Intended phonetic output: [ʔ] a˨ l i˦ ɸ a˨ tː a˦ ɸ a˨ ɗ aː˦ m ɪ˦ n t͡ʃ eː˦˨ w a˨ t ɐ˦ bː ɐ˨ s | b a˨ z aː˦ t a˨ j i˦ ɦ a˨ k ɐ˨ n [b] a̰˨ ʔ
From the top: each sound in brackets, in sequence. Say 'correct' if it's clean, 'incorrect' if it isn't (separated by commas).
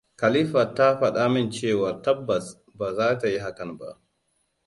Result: incorrect, correct